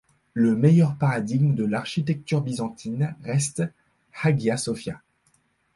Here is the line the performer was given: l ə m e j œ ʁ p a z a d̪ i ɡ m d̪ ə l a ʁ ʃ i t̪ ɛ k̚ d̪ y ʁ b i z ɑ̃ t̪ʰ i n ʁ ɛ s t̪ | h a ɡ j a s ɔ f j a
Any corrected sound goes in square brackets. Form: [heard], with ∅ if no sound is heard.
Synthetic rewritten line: l ə m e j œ ʁ p a [ʁ] a d̪ i ɡ m d̪ ə l a ʁ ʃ i t̪ ɛ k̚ [t̪] y ʁ b i z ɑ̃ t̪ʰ i n ʁ ɛ s t̪ | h a ɡ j a s ɔ f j a